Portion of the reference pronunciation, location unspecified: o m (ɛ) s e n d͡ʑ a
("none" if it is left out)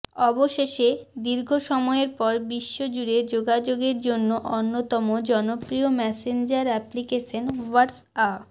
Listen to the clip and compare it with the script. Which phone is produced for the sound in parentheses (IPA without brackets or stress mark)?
ɛ